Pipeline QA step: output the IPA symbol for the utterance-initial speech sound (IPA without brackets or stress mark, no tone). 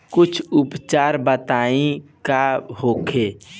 k